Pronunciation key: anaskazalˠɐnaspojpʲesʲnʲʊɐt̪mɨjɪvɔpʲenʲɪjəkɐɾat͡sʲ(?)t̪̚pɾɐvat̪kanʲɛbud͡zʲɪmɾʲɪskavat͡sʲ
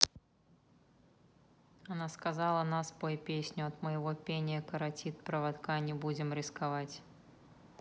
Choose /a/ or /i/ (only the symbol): i